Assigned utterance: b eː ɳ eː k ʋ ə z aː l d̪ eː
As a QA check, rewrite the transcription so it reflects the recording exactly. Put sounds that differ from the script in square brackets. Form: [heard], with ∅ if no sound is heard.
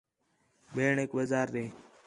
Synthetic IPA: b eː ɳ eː k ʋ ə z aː [ɾ] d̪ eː